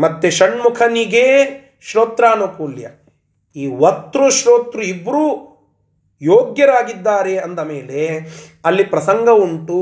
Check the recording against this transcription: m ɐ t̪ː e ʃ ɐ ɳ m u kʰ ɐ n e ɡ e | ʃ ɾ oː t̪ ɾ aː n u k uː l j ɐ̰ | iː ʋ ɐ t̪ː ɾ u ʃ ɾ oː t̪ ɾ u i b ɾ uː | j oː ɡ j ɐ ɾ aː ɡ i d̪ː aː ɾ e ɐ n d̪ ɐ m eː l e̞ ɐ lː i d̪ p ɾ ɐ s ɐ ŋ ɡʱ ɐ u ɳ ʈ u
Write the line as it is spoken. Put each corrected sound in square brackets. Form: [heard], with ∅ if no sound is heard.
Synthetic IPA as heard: m ɐ t̪ː e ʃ ɐ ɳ m u kʰ ɐ n [i] ɡ e | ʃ ɾ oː t̪ ɾ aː n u k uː l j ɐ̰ | iː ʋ ɐ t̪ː ɾ u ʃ ɾ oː t̪ ɾ u i b ɾ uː | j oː ɡ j ɐ ɾ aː ɡ i d̪ː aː ɾ e ɐ n d̪ ɐ m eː l e̞ ɐ lː i [∅] p ɾ ɐ s ɐ ŋ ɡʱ ɐ u ɳ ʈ u